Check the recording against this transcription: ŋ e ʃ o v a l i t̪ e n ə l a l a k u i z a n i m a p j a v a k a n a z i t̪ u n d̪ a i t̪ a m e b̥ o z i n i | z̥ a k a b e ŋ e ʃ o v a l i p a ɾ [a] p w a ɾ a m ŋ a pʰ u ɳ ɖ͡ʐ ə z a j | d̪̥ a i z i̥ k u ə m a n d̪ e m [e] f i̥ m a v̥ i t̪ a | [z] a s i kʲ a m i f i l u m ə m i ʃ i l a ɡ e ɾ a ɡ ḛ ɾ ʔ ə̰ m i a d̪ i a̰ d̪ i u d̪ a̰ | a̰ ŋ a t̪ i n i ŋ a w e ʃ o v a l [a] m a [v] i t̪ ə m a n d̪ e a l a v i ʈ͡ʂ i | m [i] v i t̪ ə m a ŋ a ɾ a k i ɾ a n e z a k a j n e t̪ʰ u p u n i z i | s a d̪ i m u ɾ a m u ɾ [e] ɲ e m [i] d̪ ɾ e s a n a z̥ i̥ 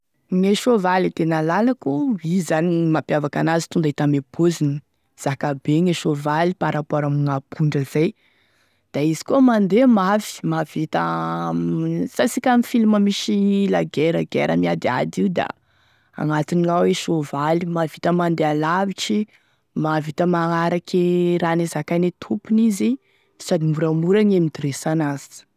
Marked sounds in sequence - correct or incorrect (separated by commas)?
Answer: correct, incorrect, incorrect, incorrect, correct, incorrect, incorrect, correct